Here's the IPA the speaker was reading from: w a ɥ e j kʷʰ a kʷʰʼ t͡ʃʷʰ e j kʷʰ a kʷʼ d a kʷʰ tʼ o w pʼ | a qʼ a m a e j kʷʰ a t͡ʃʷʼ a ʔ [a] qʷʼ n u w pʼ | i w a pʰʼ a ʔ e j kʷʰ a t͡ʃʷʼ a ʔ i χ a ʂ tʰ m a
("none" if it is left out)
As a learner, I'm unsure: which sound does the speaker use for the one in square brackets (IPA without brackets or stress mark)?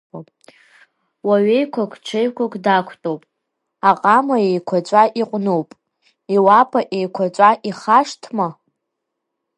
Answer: i